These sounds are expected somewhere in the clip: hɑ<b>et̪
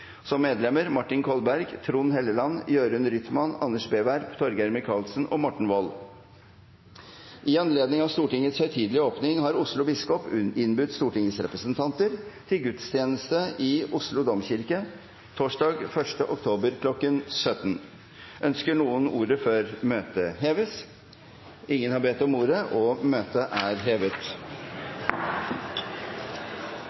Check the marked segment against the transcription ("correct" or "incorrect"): correct